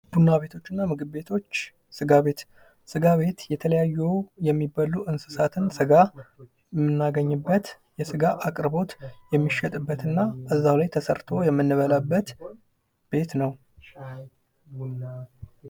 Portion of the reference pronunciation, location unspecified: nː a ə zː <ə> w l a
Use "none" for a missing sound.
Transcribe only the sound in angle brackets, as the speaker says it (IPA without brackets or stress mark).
a